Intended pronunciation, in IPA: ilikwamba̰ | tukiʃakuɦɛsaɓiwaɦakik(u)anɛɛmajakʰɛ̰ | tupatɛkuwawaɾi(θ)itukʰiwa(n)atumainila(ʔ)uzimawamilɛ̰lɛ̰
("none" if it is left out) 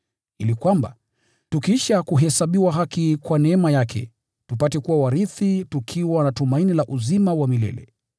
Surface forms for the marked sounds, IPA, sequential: w, θ, n, ʔ

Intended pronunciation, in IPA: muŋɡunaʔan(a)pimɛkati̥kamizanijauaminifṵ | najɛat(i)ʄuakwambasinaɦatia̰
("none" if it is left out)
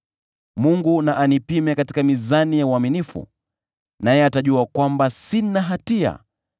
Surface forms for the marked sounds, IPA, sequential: i, a

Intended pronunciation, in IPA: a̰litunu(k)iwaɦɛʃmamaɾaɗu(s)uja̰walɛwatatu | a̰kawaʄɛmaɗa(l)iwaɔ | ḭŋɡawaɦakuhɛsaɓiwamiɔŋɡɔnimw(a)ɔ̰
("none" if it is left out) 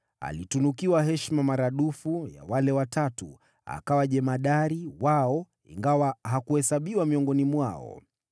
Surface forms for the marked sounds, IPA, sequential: k, f, ɾ, a

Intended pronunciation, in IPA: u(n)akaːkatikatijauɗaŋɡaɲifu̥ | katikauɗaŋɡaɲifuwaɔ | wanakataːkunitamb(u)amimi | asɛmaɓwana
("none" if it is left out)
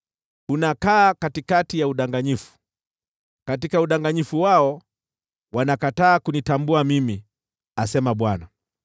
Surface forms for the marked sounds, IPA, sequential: n, u

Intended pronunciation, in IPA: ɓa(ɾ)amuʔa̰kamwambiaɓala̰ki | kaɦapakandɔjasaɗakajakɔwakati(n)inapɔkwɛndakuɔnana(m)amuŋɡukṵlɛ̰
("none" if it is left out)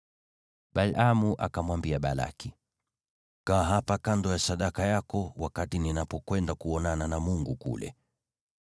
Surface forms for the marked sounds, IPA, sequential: l, n, n

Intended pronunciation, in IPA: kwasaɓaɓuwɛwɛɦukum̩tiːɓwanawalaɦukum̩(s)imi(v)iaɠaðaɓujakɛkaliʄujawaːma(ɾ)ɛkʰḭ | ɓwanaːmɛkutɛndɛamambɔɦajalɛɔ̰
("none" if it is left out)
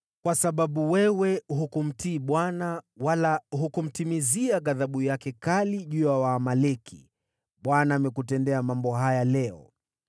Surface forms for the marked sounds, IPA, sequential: t, z, l

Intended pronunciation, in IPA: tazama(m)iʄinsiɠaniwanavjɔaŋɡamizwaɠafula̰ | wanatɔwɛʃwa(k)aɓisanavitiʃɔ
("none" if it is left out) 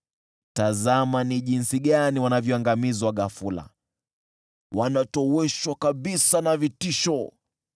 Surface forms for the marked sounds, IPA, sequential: n, k

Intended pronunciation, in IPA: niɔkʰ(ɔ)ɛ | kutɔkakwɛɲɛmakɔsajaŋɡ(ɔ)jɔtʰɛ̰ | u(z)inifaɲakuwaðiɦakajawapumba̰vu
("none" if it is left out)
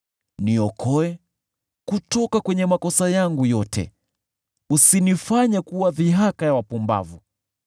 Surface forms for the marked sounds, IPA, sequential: ɔ, u, s

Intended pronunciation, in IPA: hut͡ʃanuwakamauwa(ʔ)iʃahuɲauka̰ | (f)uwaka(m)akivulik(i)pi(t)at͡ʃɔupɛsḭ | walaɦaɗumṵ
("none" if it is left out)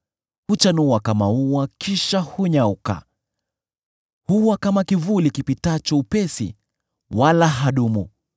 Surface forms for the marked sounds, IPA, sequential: k, h, m, i, t

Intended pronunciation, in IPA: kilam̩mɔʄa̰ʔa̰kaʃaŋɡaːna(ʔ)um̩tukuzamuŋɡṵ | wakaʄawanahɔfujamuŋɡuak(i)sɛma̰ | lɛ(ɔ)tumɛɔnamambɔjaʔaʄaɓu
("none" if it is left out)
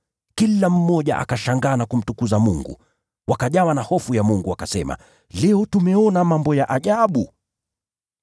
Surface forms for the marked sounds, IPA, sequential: k, a, ɔ

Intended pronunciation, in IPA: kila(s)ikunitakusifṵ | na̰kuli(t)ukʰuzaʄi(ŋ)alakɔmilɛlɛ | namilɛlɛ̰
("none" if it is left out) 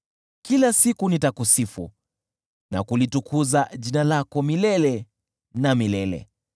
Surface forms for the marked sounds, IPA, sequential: s, t, n

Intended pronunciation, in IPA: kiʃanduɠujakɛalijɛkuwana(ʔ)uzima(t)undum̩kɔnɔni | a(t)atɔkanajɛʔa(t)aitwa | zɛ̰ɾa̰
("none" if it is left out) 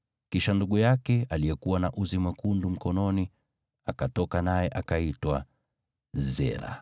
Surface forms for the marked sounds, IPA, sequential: ʔ, k, k, k

